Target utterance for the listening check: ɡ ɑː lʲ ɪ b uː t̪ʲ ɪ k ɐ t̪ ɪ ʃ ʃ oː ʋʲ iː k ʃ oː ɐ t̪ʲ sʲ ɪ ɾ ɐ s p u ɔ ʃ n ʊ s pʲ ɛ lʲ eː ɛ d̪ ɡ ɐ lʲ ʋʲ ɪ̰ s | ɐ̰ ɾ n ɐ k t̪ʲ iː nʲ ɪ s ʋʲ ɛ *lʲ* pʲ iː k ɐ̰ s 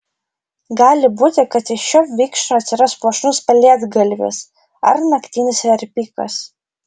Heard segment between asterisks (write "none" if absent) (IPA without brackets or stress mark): ɾʲ